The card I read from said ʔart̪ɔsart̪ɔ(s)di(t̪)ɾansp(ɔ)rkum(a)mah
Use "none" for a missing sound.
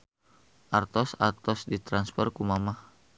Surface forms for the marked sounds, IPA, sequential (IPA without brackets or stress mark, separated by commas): s, t̪, ɔ, a